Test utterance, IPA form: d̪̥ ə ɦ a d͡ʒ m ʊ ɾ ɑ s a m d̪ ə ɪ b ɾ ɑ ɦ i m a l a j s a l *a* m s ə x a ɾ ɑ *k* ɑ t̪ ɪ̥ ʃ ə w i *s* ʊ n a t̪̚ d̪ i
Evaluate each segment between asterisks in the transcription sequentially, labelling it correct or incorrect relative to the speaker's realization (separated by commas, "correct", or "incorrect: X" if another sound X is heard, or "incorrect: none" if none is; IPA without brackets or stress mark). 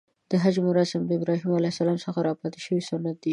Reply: incorrect: ɑ, incorrect: p, correct